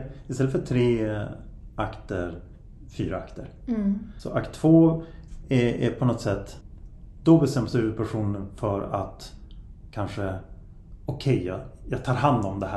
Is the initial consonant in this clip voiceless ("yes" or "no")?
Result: yes